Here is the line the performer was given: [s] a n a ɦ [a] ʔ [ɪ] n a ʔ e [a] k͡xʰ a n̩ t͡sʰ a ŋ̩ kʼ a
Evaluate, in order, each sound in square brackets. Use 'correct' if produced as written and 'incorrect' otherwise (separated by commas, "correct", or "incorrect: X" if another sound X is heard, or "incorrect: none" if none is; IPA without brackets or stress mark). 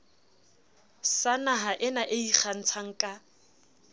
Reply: correct, correct, correct, incorrect: i